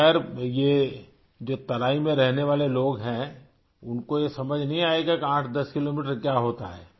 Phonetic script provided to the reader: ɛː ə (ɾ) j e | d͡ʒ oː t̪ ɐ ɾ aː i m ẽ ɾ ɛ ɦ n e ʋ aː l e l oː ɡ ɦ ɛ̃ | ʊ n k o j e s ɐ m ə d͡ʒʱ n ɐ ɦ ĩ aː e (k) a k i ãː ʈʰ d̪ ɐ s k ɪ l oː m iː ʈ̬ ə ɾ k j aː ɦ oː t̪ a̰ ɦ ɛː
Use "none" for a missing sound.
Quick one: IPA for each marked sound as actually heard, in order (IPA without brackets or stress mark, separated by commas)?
ɾ, ɡ